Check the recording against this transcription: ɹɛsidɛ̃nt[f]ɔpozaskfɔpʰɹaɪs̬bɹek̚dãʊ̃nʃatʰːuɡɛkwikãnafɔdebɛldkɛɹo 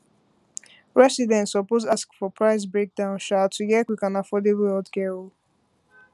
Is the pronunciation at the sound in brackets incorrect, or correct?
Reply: incorrect